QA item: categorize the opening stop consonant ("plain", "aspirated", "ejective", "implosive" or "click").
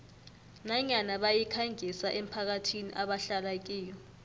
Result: implosive